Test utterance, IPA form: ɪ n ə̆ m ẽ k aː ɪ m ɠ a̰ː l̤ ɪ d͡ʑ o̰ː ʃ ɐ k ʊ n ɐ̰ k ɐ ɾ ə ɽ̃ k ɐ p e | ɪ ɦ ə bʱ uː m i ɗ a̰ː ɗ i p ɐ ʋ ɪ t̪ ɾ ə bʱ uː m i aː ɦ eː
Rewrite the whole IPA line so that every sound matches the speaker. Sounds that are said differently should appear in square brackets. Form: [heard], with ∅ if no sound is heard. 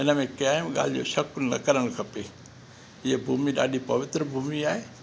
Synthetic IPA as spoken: ɪ n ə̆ m ẽ k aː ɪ m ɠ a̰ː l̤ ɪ d͡ʑ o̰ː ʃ ɐ k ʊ n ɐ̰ k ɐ ɾ ə ɽ̃ [kʰ] ɐ p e | ɪ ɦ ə bʱ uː m i ɗ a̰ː ɗ i p ɐ ʋ ɪ t̪ ɾ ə bʱ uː m i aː ɦ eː